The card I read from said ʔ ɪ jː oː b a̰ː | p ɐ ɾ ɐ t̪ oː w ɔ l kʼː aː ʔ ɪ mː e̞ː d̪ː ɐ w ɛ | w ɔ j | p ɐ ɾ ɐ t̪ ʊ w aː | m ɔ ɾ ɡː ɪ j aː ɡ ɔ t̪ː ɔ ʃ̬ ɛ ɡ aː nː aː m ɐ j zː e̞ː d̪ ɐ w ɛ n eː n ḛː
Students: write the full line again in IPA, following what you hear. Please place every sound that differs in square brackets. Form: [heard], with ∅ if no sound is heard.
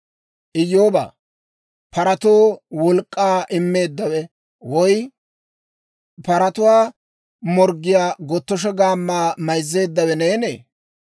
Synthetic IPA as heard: ʔ ɪ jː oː b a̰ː | p ɐ ɾ ɐ t̪ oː w ɔ l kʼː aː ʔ ɪ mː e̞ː d̪ː ɐ w ɛ | w ɔ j | p ɐ ɾ ɐ t̪ ʊ w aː | m ɔ ɾ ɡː ɪ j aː ɡ ɔ t̪ː ɔ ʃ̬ ɛ ɡ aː [mː] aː m ɐ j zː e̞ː [d̪ː] ɐ w ɛ n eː n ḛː

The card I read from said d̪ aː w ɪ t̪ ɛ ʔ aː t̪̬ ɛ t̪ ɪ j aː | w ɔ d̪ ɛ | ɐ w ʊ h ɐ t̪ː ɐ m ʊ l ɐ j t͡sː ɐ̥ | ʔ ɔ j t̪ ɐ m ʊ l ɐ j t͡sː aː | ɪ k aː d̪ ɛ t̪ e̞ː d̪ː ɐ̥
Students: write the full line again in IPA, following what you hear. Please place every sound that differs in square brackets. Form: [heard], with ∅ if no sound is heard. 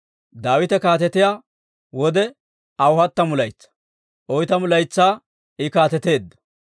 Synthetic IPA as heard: d̪ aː w ɪ t̪ ɛ [k] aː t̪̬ ɛ t̪ ɪ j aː | w ɔ d̪ ɛ | ɐ w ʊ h ɐ t̪ː ɐ m ʊ l ɐ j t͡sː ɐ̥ | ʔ ɔ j t̪ ɐ m ʊ l ɐ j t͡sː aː | ɪ k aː [t̪] ɛ t̪ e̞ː d̪ː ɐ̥

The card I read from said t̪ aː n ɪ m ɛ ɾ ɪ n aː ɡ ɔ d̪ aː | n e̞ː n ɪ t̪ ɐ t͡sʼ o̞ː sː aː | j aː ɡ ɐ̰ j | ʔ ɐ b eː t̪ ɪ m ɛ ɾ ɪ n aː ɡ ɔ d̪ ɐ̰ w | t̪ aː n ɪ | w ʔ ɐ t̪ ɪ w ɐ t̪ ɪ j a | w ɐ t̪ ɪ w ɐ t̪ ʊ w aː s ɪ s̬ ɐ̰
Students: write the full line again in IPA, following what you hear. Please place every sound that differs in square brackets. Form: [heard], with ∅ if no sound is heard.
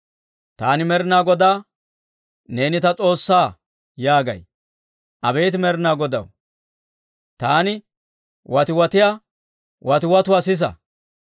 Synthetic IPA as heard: t̪ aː n ɪ m ɛ ɾ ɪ n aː ɡ ɔ d̪ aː | n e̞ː n ɪ t̪ ɐ t͡sʼ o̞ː sː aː | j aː ɡ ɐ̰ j | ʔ ɐ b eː t̪ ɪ m ɛ ɾ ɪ n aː ɡ ɔ d̪ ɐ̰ w | t̪ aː n ɪ | w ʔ ɐ t̪ ɪ w ɐ t̪ ɪ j a | w ɐ t̪ ɪ w ɐ t̪ ʊ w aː s ɪ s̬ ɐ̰

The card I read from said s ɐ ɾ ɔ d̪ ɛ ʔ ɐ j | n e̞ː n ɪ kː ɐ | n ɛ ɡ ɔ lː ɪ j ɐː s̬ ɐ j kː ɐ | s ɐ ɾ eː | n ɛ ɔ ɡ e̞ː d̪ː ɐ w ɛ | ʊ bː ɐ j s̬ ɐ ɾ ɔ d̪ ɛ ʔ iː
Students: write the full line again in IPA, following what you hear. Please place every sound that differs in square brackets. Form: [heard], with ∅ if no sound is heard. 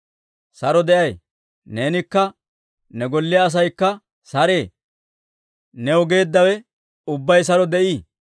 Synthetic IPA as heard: s ɐ ɾ ɔ d̪ ɛ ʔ ɐ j | n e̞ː n ɪ kː ɐ | n ɛ ɡ ɔ lː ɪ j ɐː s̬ ɐ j kː ɐ | s ɐ ɾ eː | n ɛ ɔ ɡ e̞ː d̪ː ɐ w ɛ | ʊ bː ɐ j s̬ ɐ ɾ ɔ d̪ ɛ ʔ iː

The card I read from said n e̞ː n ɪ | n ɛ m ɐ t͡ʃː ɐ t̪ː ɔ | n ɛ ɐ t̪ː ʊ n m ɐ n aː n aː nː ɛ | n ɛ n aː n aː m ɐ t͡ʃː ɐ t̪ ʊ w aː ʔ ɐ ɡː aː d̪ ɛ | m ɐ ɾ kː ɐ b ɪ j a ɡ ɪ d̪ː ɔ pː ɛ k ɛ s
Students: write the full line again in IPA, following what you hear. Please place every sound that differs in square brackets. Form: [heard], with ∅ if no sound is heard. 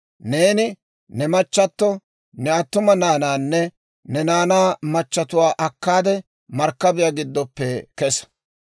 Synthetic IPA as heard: n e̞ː n ɪ | n ɛ m ɐ t͡ʃː ɐ t̪ː ɔ | n ɛ ɐ t̪ː ʊ [∅] m ɐ n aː n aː nː ɛ | n ɛ n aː n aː m ɐ t͡ʃː ɐ t̪ ʊ w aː ʔ ɐ [kː] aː d̪ ɛ | m ɐ ɾ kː ɐ b ɪ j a ɡ ɪ d̪ː ɔ pː ɛ k ɛ s

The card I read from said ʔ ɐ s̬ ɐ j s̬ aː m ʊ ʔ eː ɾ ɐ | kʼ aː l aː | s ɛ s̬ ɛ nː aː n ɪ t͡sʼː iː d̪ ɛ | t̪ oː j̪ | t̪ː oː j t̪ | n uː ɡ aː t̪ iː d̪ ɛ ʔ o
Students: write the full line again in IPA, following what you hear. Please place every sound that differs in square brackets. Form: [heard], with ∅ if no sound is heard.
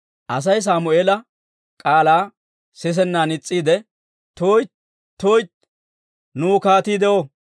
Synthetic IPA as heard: ʔ ɐ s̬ ɐ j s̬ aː m ʊ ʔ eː [l] ɐ | kʼ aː l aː | s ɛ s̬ ɛ nː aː n ɪ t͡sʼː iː d̪ ɛ | t̪ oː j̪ | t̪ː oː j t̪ | n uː [k] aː t̪ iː d̪ ɛ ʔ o

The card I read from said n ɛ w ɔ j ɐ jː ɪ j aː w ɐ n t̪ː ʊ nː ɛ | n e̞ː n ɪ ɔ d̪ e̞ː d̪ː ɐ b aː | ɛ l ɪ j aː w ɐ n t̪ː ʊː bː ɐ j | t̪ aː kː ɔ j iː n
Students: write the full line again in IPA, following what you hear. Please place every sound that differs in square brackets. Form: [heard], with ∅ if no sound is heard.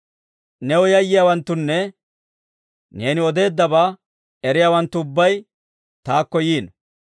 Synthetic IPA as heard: n ɛ w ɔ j ɐ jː ɪ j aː w ɐ n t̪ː ʊ nː ɛ | n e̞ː n ɪ ɔ d̪ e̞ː d̪ː ɐ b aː | ɛ [ɾ] ɪ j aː w ɐ n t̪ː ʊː bː ɐ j | t̪ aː kː ɔ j iː n

